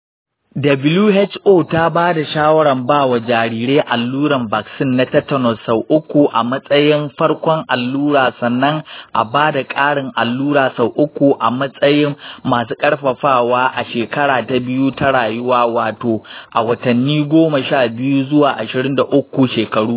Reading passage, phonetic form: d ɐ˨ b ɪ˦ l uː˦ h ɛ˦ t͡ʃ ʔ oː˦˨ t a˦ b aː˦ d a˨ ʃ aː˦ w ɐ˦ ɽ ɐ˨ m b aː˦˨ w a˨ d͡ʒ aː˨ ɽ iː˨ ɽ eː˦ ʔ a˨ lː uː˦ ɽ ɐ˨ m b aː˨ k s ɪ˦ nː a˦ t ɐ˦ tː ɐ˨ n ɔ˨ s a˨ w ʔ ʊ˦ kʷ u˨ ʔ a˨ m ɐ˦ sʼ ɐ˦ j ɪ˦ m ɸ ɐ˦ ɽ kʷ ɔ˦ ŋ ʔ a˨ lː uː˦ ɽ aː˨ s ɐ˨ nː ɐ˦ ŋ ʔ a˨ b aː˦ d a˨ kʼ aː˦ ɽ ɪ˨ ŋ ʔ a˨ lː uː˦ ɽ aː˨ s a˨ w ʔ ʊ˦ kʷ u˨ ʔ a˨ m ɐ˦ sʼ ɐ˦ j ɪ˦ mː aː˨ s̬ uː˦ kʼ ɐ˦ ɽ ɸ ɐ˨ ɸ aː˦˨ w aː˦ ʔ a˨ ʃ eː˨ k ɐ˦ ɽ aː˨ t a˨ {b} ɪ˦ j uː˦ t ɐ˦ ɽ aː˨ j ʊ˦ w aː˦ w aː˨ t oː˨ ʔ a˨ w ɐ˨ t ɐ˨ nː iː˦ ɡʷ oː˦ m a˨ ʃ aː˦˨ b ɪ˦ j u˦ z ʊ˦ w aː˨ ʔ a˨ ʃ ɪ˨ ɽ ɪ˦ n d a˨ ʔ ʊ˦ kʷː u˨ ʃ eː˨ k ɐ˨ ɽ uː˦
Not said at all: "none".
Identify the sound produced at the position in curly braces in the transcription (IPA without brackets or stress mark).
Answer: b